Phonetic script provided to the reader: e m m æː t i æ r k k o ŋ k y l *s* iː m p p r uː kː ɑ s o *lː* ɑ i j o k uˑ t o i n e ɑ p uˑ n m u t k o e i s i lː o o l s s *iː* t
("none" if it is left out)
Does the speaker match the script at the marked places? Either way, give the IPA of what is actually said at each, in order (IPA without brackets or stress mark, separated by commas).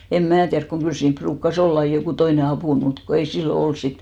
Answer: s, lː, i